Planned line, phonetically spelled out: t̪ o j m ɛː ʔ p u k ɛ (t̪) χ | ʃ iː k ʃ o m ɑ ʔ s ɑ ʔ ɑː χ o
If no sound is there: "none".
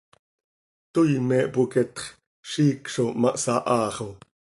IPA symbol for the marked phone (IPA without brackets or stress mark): t̪